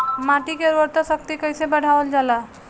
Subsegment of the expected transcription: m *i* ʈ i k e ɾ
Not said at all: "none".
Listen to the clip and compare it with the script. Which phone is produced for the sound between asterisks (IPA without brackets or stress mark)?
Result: a